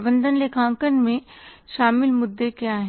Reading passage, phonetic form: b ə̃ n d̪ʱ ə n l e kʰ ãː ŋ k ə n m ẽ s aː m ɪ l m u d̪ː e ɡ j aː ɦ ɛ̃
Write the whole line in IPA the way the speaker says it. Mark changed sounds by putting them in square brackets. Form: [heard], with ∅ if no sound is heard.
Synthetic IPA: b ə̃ n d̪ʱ ə n l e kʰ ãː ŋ k ə n m ẽ [ʃ] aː m ɪ l m [ʊ] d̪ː e [k] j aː ɦ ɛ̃

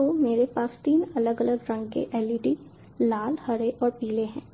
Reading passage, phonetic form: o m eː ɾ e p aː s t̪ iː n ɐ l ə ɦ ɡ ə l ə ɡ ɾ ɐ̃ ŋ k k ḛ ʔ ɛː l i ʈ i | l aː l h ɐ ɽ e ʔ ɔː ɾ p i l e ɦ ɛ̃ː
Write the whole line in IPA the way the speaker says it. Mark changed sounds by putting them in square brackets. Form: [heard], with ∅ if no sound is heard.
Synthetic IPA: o m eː ɾ e p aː s t̪ iː n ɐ l ə [∅] ɡ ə l ə ɡ ɾ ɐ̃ ŋ [ɡ] k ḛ ʔ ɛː l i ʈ i | l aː l h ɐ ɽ e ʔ ɔː ɾ p [iː] l e ɦ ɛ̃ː

